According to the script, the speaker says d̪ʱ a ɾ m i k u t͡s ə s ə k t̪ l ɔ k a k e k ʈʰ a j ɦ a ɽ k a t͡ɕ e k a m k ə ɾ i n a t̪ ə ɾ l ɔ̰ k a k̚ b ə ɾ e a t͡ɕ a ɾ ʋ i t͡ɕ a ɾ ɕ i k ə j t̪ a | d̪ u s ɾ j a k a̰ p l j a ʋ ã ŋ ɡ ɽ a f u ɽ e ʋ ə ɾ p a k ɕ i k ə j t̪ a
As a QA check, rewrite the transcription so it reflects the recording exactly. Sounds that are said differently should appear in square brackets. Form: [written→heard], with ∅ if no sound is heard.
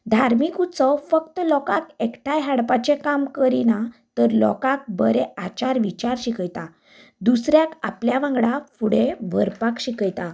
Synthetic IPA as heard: d̪ʱ a ɾ m i k u t͡s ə [s→f] ə k t̪ l ɔ k a k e k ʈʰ a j ɦ a ɽ [k→p] a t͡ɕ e k a m k ə ɾ i n a t̪ ə ɾ l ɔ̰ k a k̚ b ə ɾ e a t͡ɕ a ɾ ʋ i t͡ɕ a ɾ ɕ i k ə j t̪ a | d̪ u s ɾ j a k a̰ p l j a ʋ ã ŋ ɡ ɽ a f u ɽ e ʋ ə ɾ p a k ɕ i k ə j t̪ a